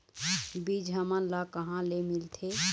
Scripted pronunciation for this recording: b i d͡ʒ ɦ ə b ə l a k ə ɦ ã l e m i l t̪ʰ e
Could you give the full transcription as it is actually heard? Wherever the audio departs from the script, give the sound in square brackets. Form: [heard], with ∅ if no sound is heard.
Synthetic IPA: b i d͡ʒ ɦ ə [m] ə l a k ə ɦ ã l e m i l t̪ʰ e